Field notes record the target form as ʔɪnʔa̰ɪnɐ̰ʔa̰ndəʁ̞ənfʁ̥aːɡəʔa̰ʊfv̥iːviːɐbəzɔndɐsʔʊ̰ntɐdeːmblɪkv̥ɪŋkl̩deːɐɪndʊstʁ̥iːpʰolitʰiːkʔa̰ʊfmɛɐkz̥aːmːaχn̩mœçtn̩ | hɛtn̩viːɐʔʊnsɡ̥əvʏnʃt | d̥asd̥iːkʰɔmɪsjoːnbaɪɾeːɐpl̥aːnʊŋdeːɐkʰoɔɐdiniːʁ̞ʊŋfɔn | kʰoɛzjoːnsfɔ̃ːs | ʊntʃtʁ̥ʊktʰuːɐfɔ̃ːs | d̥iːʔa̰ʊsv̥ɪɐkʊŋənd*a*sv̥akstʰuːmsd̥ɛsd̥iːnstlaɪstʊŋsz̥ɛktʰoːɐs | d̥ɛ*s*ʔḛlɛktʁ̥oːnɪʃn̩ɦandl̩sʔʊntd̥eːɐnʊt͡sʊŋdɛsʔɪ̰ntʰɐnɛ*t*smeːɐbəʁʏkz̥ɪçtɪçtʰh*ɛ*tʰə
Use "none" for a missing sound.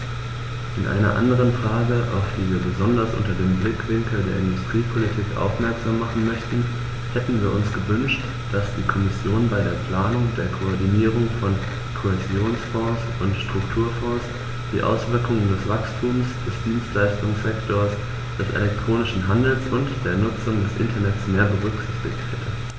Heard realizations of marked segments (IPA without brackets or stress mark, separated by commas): ɛ, s, t, ɛ